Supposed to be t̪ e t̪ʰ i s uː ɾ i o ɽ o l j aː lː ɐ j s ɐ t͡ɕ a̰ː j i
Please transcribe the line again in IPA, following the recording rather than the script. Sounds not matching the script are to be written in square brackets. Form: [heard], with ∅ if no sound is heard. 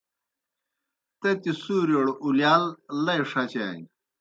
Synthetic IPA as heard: t̪ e [t̪] i s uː ɾ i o ɽ [u] l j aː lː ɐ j [ʂ] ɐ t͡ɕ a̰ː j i